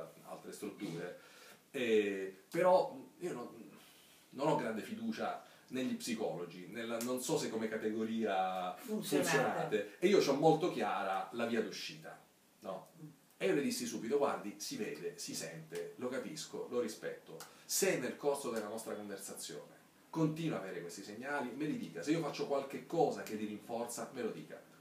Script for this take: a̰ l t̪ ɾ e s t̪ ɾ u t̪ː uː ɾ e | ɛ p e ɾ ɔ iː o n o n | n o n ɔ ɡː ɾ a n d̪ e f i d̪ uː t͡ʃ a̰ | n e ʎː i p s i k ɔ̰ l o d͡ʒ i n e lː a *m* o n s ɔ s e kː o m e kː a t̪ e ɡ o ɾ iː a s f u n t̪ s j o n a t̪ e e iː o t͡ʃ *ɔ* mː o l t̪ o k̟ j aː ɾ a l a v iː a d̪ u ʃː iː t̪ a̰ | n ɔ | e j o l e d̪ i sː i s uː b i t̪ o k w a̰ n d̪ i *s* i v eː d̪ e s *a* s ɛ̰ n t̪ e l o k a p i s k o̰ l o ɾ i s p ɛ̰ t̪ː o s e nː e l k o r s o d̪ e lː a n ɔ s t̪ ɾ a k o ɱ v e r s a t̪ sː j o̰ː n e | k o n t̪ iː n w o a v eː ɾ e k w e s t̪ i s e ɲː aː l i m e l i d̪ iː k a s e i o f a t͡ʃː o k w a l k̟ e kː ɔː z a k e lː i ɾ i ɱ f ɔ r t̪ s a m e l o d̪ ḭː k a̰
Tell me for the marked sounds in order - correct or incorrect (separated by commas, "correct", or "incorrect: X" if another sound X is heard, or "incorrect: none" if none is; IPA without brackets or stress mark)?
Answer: incorrect: n, correct, correct, incorrect: i